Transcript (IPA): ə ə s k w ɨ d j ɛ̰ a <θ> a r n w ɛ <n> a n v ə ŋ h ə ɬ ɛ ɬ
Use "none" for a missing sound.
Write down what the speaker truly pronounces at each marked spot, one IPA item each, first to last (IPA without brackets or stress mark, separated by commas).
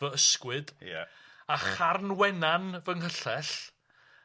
χ, n